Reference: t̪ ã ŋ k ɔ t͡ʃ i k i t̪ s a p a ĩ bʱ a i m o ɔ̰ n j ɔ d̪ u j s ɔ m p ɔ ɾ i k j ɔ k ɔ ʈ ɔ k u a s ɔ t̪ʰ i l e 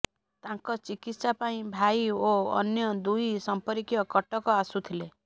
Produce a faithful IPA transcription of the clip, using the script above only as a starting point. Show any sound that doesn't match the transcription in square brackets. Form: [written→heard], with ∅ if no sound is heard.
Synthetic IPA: t̪ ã ŋ k ɔ t͡ʃ i k i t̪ s a p a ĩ bʱ a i [m→∅] o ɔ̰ n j ɔ d̪ u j s ɔ m p ɔ ɾ i k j ɔ k ɔ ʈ ɔ k [u→ɔ] a s [ɔ→u] t̪ʰ i l e